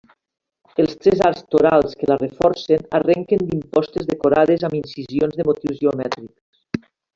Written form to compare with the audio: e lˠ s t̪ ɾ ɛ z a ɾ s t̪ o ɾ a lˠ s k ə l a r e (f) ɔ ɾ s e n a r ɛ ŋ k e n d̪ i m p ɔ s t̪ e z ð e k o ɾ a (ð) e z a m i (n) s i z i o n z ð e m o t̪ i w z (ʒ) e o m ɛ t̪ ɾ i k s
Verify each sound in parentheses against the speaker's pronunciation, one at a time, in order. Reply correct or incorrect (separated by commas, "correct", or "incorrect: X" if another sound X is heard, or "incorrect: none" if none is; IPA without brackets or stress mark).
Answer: correct, correct, correct, correct